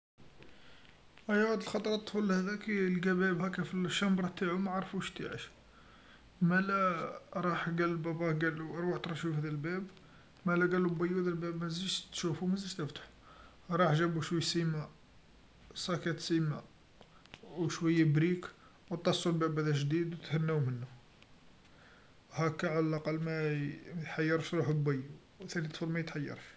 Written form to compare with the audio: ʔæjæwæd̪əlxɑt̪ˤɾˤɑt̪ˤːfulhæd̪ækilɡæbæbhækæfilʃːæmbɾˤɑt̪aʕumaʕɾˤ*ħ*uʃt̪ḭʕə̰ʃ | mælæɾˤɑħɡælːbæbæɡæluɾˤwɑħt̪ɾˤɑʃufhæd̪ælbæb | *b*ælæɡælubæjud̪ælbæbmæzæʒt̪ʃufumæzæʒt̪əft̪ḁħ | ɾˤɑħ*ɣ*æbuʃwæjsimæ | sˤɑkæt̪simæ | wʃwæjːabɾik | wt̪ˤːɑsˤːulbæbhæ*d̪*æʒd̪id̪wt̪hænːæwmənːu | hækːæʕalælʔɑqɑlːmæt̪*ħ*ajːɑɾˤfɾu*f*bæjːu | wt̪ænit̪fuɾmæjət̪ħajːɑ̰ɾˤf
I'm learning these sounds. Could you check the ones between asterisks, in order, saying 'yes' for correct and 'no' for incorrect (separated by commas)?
no, no, no, yes, yes, no